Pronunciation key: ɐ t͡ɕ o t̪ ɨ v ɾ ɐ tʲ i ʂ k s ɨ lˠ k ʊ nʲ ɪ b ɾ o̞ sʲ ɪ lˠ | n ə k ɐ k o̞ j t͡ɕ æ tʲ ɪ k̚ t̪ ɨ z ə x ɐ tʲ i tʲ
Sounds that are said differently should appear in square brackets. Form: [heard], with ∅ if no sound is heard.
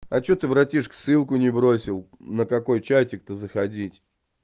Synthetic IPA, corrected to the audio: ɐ t͡ɕ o t̪ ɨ v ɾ ɐ tʲ i ʂ k s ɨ lˠ k ʊ nʲ ɪ b ɾ o̞ sʲ ɪ lˠ | n ə k ɐ k o̞ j t͡ɕ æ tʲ ɪ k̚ t̪ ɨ z ə x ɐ [dʲ] i tʲ